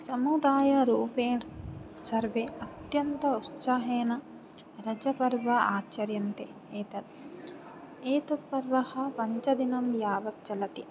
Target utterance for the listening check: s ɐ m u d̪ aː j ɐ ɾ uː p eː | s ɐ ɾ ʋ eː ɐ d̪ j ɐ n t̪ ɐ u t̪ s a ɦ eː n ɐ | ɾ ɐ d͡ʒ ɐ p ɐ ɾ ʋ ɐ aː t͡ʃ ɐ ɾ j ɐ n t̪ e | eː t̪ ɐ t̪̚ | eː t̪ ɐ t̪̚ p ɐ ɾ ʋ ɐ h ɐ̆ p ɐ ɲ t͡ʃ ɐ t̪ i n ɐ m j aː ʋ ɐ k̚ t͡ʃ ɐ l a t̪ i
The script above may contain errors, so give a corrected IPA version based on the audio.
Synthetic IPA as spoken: s ɐ m u d̪ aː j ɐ ɾ uː p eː | s ɐ ɾ ʋ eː ɐ t̪ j ɐ n t̪ ɐ u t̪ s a ɦ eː n ɐ | ɾ ɐ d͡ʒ ɐ p ɐ ɾ ʋ ɐ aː t͡ʃ ɐ ɾ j ɐ n t̪ e | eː t̪ ɐ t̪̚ | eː t̪ ɐ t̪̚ p ɐ ɾ ʋ ɐ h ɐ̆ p ɐ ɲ t͡ʃ ɐ d̪ i n ɐ m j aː ʋ ɐ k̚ t͡ʃ ɐ l ɐ t̪ i